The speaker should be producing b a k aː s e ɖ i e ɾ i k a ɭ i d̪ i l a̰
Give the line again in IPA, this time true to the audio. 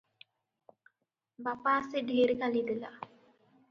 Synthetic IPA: b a p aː s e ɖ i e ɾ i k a l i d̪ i l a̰